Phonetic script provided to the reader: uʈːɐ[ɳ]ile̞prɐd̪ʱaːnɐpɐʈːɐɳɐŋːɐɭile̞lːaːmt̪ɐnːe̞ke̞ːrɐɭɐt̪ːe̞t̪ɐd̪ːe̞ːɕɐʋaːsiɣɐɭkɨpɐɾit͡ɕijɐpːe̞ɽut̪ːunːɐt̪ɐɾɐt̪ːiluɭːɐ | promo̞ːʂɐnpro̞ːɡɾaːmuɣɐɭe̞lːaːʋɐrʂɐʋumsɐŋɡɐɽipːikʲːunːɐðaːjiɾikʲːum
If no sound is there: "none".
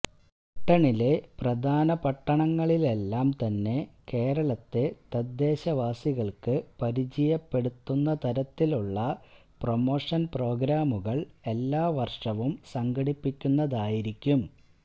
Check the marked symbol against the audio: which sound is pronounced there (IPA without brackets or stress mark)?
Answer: ɳ